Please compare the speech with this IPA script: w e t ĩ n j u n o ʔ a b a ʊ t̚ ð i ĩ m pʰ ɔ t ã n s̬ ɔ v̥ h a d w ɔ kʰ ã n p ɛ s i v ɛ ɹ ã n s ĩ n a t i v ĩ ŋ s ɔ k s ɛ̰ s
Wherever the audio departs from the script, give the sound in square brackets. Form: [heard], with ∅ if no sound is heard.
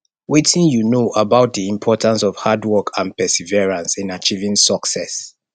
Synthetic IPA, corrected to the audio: w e t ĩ n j u n o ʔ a b a ʊ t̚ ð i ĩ m pʰ ɔ t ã n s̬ ɔ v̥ h a d w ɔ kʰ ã n p ɛ s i v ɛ ɹ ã n s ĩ n a [t͡ʃ] i v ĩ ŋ s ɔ k s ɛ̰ s